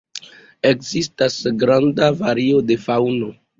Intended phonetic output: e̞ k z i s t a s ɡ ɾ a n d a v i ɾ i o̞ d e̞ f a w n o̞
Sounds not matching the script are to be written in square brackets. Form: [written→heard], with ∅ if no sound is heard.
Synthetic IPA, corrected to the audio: e̞ k z i s t a s ɡ ɾ a n d a v [i→a] ɾ i o̞ d e̞ f a w n o̞